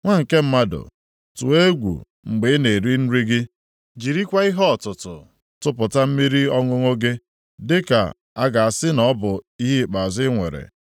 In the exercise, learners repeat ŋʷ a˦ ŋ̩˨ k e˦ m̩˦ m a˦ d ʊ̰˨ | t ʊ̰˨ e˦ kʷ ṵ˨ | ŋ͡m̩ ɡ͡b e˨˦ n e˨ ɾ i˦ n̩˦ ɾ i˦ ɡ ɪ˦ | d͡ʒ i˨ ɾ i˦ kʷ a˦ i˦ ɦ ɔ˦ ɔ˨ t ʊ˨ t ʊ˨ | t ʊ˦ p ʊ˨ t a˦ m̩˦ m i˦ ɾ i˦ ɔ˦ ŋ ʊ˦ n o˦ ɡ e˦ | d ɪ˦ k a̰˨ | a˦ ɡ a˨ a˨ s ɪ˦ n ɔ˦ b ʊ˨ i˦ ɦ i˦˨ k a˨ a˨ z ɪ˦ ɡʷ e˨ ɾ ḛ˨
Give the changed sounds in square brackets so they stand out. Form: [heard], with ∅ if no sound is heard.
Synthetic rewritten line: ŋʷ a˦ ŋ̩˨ k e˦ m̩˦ m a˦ d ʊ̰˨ | t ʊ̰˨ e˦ [ɡʷ] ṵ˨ | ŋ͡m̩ ɡ͡b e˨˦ n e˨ ɾ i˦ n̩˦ ɾ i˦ ɡ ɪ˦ | d͡ʒ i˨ ɾ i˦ kʷ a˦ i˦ ɦ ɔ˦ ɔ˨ t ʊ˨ t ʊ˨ | t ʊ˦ p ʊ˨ t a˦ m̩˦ m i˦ ɾ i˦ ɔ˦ ŋ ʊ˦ [ŋ] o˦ ɡ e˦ | d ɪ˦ k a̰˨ | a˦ ɡ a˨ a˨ s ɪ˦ n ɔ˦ b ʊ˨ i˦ ɦ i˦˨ [k͡p] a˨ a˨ z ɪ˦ [ŋʷ] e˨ ɾ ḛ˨

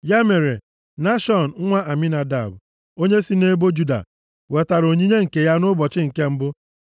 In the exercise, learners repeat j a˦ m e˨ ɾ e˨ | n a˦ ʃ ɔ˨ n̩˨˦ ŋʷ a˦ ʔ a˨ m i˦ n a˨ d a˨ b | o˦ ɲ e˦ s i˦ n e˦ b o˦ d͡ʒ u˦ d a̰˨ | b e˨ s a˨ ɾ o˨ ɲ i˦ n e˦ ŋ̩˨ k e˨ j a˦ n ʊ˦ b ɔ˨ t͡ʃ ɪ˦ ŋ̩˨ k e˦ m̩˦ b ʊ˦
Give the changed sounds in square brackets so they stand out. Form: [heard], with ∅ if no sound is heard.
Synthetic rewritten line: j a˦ m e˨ ɾ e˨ | n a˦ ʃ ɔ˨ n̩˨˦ ŋʷ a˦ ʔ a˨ m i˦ n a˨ d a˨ b | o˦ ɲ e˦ s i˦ n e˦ b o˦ d͡ʒ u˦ d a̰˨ | [w] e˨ [t] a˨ ɾ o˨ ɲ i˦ [ɲ] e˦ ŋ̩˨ k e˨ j a˦ n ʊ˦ b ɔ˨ t͡ʃ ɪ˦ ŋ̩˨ k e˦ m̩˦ b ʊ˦

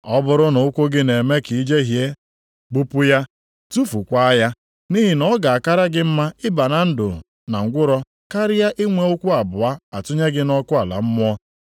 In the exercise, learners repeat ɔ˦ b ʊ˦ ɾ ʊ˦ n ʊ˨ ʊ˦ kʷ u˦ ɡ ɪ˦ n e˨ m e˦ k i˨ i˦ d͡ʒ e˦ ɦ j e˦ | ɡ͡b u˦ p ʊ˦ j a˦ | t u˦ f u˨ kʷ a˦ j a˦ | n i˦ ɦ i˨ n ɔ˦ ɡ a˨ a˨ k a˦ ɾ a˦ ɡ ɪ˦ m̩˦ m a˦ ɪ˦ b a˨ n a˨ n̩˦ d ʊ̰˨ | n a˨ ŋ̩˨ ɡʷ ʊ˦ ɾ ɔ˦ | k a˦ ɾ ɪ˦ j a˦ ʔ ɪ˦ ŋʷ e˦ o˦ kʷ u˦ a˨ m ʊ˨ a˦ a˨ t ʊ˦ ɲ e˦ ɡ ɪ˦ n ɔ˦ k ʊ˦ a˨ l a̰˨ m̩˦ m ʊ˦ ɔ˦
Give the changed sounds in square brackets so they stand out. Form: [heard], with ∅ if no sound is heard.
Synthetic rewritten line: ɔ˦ b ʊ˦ ɾ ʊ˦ n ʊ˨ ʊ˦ kʷ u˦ ɡ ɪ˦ n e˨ m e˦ k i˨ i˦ d͡ʒ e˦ ɦ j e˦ | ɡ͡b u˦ p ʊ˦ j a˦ | t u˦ f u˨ kʷ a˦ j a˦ | n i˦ ɦ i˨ n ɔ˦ ɡ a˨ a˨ k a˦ ɾ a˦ ɡ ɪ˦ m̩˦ m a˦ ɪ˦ b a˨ n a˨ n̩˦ d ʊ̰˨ | n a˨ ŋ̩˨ ɡʷ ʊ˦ ɾ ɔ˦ | k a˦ ɾ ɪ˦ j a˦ ʔ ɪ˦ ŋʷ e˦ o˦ kʷ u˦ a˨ [b] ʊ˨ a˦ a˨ t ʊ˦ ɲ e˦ ɡ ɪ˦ n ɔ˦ k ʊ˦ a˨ l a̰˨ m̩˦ m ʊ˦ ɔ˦

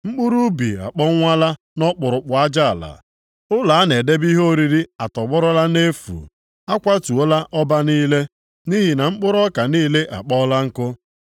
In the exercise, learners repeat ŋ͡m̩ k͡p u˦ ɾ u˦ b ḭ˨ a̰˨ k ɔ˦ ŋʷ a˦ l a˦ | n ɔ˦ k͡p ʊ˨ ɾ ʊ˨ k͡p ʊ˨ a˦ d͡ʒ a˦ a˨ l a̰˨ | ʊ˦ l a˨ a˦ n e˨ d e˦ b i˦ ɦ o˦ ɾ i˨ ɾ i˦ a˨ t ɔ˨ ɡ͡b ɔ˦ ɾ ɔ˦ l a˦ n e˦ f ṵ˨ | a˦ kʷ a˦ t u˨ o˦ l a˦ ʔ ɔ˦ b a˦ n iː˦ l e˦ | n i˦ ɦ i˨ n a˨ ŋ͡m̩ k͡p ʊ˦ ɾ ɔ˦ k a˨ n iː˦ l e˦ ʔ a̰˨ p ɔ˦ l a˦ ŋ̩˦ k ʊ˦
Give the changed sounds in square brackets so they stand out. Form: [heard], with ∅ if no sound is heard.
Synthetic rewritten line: ŋ͡m̩ k͡p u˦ ɾ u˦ b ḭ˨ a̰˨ [k͡p] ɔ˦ ŋʷ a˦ l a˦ | n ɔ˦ k͡p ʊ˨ ɾ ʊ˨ k͡p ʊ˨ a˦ d͡ʒ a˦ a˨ l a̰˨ | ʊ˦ l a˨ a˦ n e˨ d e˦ b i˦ ɦ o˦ ɾ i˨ ɾ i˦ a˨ t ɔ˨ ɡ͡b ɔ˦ ɾ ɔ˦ l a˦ n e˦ f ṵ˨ | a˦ kʷ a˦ t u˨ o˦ l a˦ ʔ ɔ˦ b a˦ n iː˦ l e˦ | n i˦ ɦ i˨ n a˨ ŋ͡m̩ k͡p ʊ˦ ɾ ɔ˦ k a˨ n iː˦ l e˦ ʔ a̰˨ [k͡p] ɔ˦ l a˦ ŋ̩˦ k ʊ˦

